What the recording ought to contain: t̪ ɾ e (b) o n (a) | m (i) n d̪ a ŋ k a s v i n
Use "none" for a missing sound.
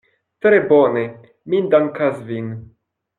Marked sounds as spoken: b, e, i

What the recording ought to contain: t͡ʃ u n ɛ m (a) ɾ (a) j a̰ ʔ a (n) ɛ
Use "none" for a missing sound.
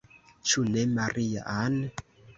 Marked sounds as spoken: a, i, n

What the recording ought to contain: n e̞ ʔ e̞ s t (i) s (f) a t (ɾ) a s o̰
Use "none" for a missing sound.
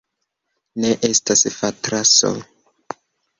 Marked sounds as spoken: a, f, ɾ

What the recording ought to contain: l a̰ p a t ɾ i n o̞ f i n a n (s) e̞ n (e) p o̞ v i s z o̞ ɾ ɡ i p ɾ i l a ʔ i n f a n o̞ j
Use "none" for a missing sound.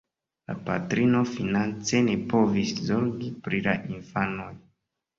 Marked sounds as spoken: t͡s, e

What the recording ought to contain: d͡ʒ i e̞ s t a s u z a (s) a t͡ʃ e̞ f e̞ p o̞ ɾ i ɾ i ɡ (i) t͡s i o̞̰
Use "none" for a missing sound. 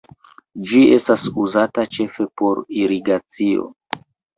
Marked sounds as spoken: t, a

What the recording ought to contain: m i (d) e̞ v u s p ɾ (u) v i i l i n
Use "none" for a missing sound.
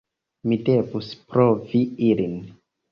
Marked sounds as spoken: d, o

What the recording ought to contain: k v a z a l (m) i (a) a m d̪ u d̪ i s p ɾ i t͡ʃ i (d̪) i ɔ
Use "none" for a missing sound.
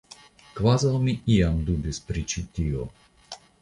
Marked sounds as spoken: m, i, t̪

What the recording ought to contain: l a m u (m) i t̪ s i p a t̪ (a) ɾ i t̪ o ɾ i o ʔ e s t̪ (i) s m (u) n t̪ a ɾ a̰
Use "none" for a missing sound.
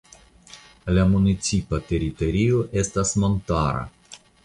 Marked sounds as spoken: n, e, a, o

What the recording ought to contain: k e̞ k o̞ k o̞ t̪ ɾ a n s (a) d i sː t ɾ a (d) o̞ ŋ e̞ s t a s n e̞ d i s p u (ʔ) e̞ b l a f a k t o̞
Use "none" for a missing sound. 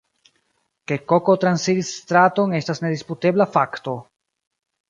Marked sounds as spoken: i, t, t

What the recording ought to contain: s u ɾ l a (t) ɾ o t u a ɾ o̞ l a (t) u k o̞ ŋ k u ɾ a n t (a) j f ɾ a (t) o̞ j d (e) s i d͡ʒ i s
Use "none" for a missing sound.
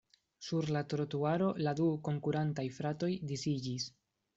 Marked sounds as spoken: t, d, a, t, i

